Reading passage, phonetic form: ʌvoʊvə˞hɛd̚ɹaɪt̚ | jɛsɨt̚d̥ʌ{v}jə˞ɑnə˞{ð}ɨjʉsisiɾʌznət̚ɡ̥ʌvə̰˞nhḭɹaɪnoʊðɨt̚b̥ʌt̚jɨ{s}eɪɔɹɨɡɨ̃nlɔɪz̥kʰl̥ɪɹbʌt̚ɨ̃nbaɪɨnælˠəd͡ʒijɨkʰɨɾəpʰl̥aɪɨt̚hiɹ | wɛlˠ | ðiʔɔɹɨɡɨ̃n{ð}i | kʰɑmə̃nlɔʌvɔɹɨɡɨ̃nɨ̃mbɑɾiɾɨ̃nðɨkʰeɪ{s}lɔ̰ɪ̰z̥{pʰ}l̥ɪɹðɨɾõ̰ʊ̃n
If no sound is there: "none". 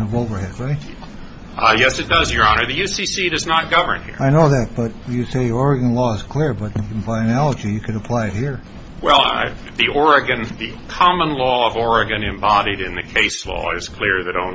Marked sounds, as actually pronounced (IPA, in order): z, ð, s, ð, s, kʰ

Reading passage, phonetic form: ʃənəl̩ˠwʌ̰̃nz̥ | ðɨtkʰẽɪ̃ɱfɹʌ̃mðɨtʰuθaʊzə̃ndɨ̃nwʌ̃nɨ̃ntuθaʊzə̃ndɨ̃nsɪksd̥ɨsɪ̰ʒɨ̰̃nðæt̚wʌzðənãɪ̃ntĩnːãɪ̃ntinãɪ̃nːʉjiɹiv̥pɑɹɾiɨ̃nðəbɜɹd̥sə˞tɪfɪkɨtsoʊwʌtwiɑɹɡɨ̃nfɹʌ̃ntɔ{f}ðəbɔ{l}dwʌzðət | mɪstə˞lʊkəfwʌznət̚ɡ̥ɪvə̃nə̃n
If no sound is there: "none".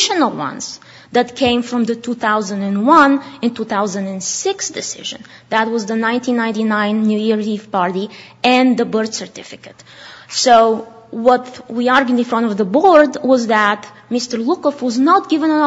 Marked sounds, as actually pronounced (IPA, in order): v, ɹ

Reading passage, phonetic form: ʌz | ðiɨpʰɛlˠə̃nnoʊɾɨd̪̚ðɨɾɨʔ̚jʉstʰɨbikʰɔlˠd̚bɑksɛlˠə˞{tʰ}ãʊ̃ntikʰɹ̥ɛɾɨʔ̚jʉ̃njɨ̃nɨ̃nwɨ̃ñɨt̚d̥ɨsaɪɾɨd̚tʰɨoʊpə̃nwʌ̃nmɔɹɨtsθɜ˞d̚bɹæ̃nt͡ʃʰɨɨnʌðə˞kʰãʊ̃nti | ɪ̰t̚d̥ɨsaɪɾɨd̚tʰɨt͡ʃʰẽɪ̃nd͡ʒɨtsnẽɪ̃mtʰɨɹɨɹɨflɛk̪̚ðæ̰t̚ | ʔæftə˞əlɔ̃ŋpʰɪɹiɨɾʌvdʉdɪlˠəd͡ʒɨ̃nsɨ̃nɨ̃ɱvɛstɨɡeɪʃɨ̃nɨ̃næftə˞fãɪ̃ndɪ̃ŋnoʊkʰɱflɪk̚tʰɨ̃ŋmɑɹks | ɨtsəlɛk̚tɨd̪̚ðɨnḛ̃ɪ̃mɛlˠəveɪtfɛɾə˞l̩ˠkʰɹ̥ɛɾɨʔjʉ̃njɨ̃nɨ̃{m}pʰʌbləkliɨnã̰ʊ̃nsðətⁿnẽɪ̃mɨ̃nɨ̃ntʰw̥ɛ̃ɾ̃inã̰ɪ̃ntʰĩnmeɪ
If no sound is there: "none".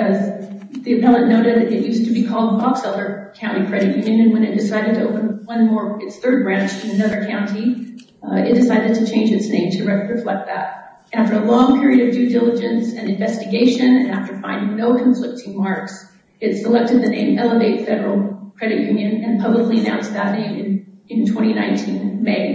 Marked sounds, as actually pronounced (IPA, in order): kʰ, n

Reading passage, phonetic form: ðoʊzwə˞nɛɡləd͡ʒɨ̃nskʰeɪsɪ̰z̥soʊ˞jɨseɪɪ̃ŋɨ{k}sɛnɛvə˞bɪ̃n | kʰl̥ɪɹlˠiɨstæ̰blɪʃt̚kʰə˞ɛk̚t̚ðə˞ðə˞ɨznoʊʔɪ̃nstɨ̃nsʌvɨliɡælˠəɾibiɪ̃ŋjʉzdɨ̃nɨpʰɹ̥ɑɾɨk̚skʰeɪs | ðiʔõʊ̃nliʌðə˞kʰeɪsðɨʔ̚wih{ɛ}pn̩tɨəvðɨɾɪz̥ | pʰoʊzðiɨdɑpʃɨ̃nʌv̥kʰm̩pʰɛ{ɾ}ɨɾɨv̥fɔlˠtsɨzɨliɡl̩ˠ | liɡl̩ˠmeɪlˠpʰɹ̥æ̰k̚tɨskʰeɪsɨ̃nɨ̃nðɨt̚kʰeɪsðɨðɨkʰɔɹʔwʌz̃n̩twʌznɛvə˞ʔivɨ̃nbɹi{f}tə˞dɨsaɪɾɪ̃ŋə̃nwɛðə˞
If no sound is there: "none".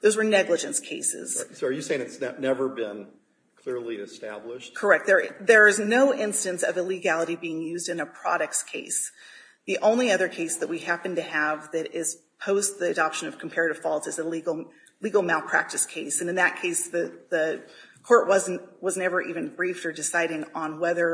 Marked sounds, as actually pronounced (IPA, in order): t, æ, ɹ, f

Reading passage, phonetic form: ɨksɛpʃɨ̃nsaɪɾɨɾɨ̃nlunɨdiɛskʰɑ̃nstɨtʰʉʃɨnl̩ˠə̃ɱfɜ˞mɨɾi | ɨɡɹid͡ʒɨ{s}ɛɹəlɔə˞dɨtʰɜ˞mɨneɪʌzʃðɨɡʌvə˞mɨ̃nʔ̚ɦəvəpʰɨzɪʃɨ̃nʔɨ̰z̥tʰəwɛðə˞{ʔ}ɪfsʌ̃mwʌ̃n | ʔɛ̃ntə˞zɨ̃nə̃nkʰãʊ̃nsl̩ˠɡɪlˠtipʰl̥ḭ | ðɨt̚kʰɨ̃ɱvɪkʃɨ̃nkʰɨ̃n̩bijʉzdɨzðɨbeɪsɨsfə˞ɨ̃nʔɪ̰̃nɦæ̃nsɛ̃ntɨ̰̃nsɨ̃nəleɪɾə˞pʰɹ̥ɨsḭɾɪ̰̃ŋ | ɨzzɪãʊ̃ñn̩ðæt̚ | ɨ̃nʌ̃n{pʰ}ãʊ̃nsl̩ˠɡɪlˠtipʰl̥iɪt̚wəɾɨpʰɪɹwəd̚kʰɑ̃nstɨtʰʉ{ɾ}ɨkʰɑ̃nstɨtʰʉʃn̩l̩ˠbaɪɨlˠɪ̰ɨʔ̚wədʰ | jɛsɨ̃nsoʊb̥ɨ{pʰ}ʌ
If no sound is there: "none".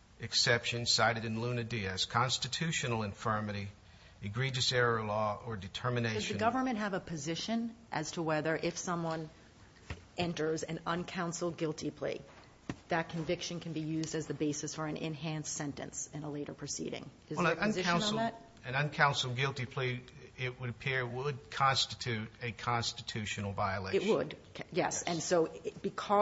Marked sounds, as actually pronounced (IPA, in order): s, ʔ, kʰ, ɾ, kʰ

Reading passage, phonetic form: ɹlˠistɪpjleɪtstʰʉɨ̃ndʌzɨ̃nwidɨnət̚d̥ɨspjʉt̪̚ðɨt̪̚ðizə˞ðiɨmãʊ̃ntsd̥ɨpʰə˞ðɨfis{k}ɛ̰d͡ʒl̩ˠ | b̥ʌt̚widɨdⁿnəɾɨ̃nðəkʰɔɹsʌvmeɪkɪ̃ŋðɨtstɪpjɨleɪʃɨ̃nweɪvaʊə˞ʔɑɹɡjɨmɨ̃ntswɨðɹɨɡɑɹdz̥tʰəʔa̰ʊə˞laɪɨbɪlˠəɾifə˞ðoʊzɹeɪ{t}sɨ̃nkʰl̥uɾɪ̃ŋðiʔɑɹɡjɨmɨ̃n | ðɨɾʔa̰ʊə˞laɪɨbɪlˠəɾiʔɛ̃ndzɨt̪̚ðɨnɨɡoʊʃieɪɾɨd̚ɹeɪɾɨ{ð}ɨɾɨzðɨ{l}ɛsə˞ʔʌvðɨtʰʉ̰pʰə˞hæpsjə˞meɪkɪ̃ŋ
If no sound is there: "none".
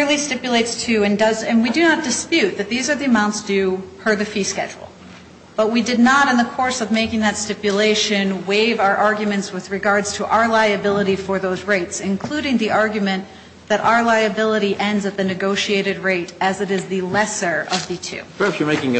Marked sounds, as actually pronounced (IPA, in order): k, t, z, l

